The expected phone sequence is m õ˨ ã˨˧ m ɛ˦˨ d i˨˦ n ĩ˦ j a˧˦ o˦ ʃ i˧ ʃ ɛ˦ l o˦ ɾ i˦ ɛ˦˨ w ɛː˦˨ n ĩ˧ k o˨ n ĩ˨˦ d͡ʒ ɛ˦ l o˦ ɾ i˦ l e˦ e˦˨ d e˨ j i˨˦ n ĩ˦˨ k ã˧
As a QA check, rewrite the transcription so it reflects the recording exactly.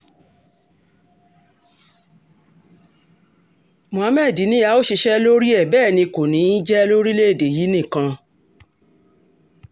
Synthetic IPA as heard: m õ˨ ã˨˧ m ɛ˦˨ d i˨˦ n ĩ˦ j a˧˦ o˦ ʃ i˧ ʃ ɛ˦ l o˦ ɾ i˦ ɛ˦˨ b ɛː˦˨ n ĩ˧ k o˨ n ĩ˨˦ d͡ʒ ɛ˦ l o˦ ɾ i˦ l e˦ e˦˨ d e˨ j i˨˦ n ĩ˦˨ k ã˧